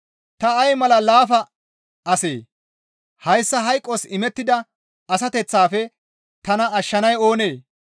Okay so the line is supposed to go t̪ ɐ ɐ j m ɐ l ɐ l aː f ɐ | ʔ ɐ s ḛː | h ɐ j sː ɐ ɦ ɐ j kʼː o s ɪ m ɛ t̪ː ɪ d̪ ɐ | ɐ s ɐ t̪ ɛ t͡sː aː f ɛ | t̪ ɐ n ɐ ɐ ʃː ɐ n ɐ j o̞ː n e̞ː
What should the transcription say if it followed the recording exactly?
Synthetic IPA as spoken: t̪ ɐ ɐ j m ɐ l ɐ l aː f ɐ | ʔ ɐ s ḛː | h ɐ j sː ɐ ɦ ɐ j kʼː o s ɪ m ɛ t̪ː ɪ d̪ ɐ | ɐ s ɐ t̪ ɛ t͡sː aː f ɛ | t̪ ɐ n ɐ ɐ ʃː ɐ n ɐ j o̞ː n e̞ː